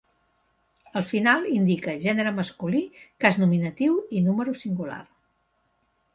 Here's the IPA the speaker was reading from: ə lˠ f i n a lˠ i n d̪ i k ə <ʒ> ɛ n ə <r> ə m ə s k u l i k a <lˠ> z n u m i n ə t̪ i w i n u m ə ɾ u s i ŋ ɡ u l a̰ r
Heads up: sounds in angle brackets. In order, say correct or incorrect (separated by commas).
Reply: correct, incorrect, incorrect